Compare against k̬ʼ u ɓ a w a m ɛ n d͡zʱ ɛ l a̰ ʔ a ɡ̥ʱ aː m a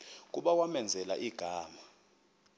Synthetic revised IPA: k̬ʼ u ɓ a w a m ɛ n d͡zʱ ɛ l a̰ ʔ i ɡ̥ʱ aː m a